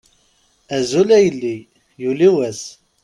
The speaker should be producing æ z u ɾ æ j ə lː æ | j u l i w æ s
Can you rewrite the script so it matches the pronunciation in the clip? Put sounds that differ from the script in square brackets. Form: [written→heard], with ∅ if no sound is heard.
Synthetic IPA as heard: æ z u [ɾ→l] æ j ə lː [æ→i] | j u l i w æ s